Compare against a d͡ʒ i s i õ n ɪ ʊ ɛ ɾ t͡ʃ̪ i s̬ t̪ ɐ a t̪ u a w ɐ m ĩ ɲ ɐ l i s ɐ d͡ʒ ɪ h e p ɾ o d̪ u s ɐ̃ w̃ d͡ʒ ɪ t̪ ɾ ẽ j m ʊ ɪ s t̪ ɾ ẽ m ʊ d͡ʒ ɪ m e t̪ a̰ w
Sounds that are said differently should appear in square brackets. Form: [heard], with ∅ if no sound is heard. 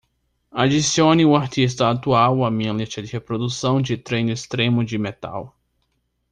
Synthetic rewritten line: a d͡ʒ i s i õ n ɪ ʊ [a] ɾ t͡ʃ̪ i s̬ t̪ ɐ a t̪ u a w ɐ m ĩ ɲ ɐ l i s ɐ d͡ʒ ɪ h e p ɾ o d̪ u s ɐ̃ w̃ d͡ʒ ɪ t̪ ɾ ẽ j [n] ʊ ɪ s t̪ ɾ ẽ m ʊ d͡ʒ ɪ m e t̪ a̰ w